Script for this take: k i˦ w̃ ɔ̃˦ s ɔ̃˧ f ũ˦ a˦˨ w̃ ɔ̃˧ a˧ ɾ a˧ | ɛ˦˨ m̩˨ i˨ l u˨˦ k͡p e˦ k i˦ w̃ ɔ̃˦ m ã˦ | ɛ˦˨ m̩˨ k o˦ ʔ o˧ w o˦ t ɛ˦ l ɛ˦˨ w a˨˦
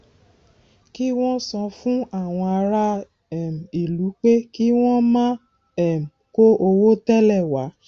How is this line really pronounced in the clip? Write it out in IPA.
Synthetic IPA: k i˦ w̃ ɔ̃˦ s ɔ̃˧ f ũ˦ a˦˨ w̃ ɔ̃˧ a˧ ɾ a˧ | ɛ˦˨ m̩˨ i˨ l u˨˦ k͡p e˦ k i˦ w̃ ɔ̃˦ m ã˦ | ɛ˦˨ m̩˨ k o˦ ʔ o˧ w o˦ t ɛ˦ l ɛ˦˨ w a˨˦